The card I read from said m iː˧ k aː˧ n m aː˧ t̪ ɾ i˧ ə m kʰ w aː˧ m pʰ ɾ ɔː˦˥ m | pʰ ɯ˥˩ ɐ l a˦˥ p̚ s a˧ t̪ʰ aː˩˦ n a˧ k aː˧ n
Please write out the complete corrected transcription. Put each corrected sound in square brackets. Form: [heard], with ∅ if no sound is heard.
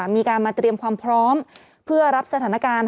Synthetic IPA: m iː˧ k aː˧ n m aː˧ t̪ ɾ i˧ ə m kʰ w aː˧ m pʰ ɾ ɔː˦˥ m | pʰ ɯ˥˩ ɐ [ɾ] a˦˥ p̚ s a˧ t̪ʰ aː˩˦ n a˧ k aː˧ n